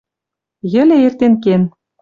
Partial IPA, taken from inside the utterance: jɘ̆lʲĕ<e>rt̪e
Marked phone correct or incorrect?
correct